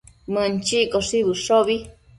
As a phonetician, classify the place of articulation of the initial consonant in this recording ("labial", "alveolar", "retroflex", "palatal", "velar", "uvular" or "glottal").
labial